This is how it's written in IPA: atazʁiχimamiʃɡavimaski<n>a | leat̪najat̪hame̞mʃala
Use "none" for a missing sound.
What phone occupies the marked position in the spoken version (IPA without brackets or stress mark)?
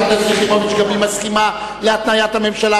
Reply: m